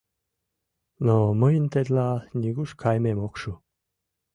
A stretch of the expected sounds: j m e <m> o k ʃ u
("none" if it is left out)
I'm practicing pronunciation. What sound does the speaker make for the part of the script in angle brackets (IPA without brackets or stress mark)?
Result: m